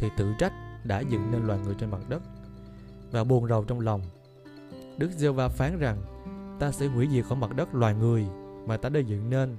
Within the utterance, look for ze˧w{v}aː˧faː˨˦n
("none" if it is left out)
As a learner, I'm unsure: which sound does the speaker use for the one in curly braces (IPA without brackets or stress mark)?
v